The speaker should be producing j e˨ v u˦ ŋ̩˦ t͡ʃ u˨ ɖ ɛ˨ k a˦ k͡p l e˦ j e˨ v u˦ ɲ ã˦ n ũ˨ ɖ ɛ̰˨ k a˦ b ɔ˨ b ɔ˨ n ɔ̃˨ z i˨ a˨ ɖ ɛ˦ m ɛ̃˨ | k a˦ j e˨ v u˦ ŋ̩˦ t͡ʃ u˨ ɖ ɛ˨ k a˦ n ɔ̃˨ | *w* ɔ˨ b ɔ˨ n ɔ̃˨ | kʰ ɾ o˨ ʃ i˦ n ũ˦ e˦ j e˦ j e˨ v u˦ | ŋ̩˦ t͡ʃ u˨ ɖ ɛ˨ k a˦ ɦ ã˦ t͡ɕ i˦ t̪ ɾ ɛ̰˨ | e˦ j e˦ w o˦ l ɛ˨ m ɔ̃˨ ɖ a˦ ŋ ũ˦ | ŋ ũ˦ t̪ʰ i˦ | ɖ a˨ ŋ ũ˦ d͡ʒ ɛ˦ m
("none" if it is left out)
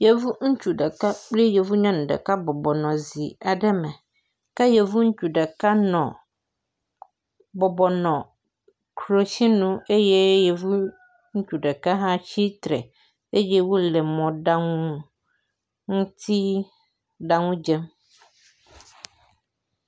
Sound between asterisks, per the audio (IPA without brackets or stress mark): b